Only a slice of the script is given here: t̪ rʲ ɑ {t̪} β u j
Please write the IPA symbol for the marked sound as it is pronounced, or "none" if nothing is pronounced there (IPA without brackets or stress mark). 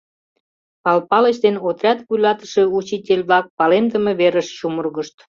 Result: t̪